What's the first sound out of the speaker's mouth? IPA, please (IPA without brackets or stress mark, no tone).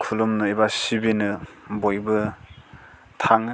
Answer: kʰ